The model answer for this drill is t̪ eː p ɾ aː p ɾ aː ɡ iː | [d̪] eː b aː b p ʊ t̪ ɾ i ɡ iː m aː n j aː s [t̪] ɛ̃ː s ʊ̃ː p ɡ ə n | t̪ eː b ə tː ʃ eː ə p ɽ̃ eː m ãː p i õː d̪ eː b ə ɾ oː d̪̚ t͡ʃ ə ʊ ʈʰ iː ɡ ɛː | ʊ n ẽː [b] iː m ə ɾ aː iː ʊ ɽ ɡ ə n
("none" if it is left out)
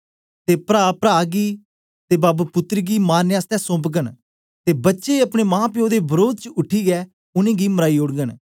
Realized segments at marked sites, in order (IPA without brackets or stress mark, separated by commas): t̪, t̪, ɡ